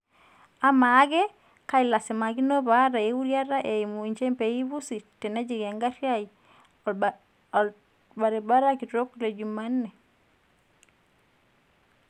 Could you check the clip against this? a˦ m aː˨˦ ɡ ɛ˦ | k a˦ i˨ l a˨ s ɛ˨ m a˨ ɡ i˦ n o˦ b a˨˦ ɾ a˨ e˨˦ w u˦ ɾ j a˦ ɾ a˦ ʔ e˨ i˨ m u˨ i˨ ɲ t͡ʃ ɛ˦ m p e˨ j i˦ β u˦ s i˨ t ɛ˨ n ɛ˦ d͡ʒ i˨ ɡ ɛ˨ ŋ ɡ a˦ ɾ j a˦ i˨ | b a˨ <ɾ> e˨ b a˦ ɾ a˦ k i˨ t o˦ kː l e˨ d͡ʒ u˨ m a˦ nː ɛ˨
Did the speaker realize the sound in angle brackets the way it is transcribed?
yes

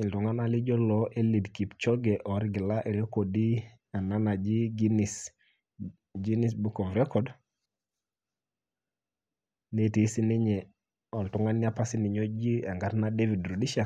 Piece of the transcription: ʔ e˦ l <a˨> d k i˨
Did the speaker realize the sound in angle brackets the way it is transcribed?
no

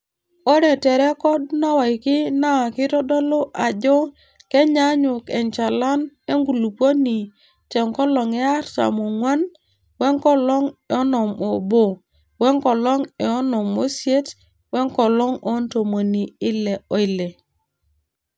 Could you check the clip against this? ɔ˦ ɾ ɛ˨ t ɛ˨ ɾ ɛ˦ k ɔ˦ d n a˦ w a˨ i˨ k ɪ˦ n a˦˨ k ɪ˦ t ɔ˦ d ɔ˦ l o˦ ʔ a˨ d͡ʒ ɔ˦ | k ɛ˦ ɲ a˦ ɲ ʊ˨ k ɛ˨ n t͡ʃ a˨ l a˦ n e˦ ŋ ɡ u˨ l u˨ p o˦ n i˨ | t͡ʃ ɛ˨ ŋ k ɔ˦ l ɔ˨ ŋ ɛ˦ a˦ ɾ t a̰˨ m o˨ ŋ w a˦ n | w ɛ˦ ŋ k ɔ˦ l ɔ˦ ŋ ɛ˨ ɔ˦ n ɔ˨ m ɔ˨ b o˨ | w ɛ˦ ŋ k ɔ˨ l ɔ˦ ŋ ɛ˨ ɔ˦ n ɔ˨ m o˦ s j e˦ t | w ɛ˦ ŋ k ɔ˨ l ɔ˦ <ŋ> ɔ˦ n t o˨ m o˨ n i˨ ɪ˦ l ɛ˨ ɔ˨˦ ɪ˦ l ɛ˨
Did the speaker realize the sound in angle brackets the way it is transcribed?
yes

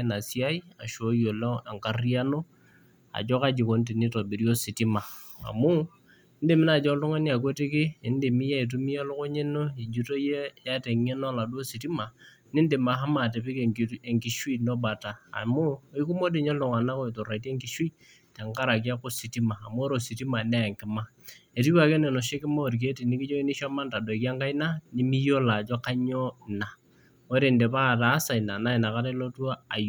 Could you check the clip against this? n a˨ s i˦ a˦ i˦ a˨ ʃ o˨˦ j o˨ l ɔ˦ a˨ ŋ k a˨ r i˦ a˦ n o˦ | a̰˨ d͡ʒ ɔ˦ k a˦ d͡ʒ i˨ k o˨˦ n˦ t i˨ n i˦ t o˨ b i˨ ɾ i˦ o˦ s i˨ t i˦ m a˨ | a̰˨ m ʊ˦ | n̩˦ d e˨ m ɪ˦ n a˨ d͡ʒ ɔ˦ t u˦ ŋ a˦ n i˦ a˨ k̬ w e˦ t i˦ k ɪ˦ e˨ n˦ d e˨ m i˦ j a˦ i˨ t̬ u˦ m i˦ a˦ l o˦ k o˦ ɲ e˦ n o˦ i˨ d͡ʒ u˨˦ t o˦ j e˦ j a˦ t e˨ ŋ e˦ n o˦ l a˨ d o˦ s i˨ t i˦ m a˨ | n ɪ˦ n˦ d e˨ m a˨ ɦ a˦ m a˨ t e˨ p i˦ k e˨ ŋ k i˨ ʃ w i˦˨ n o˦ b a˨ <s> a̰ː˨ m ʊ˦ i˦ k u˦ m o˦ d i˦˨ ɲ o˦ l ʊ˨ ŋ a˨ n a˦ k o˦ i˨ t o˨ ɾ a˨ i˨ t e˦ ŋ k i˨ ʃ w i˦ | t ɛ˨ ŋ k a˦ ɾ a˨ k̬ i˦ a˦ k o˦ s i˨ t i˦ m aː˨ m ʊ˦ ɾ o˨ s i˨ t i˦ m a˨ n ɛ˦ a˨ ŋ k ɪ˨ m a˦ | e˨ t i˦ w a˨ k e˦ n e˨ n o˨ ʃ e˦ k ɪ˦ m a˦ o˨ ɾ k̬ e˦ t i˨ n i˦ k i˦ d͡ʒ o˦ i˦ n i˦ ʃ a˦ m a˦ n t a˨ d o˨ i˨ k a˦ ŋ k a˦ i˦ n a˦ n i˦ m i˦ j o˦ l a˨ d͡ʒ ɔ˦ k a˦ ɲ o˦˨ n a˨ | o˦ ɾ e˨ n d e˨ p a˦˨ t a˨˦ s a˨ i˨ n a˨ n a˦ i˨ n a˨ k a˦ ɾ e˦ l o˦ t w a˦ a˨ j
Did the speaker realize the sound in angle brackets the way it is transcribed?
no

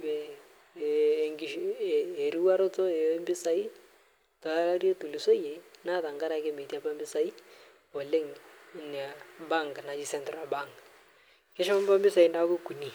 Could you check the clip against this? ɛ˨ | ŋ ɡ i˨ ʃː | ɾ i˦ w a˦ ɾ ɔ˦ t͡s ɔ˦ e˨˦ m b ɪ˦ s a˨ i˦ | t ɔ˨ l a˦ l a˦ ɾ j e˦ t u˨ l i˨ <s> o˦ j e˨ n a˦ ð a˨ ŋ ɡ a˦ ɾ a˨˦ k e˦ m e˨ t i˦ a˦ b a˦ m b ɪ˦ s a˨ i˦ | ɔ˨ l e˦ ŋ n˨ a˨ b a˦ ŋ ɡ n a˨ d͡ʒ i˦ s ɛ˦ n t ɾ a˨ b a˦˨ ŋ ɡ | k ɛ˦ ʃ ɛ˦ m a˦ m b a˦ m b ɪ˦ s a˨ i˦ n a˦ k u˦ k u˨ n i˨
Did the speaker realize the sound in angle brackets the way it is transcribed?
yes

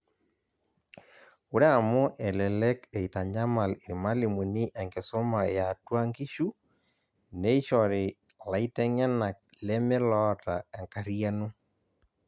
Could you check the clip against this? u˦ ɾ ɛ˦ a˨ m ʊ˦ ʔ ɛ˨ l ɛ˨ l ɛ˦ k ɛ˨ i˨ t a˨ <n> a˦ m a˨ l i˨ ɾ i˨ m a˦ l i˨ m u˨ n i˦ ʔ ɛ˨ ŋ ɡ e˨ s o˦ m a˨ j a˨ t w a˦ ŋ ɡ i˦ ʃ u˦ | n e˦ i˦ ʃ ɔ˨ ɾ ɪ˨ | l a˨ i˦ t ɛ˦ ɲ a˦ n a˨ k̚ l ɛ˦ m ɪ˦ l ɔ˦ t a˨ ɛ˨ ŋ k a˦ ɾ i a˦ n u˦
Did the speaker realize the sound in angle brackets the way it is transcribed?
no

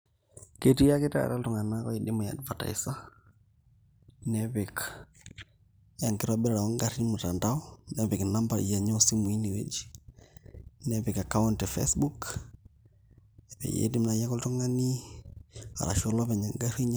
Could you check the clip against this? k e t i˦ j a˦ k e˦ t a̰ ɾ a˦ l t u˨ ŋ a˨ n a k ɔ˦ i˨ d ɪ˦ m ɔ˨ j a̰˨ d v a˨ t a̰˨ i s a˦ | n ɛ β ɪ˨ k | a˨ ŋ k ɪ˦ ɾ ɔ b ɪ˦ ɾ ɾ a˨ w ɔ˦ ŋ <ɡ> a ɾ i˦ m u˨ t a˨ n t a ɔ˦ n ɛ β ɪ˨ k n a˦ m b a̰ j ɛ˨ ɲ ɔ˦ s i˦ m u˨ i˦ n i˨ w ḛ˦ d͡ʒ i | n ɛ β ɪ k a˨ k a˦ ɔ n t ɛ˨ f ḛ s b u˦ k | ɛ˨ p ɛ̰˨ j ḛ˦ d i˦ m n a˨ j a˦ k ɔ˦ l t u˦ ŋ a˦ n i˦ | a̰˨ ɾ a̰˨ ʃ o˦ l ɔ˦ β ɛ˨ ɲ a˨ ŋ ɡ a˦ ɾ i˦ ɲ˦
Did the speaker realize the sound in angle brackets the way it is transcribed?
yes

